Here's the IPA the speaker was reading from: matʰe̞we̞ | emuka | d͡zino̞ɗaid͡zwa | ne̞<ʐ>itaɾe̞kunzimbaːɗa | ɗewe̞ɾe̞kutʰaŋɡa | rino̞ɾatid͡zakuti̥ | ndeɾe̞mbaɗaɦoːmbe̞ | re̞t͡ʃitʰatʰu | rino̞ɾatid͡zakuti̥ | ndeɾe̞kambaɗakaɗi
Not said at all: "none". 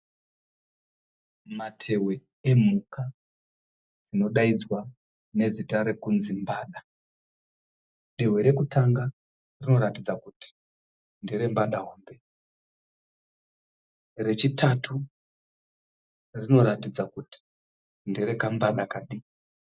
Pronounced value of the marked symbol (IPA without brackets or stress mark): z